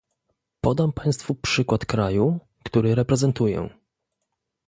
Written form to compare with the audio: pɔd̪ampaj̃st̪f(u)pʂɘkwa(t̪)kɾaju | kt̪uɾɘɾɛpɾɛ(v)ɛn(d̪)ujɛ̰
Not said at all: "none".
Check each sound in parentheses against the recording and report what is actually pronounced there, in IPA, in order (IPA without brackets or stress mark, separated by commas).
u, t̪, z, t̪